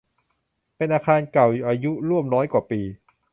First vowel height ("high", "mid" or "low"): mid